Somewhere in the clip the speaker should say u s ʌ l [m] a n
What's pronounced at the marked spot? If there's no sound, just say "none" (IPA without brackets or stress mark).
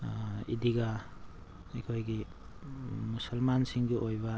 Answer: m